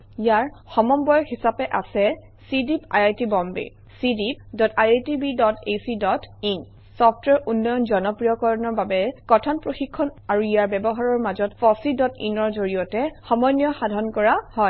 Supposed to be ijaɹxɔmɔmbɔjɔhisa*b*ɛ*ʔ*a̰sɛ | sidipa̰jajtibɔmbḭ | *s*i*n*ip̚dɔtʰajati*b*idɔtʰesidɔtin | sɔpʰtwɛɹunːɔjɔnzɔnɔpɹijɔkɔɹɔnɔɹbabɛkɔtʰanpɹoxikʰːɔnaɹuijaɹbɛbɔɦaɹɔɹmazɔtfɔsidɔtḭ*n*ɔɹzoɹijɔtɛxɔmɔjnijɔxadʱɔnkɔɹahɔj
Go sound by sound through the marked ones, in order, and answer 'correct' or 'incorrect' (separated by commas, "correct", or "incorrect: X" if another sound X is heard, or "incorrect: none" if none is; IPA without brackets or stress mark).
incorrect: p, correct, correct, incorrect: d, correct, correct